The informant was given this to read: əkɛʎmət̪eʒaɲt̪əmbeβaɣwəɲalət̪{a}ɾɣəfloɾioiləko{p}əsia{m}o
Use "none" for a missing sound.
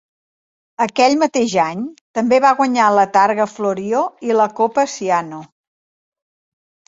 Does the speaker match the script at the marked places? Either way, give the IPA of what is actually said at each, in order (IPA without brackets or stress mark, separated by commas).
a, p, n